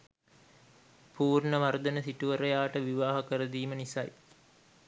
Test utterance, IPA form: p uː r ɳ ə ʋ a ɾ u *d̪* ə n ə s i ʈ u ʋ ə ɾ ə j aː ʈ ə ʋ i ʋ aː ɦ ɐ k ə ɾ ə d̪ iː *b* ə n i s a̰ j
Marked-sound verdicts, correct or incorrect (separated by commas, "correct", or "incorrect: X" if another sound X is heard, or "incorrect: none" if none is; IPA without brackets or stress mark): correct, incorrect: m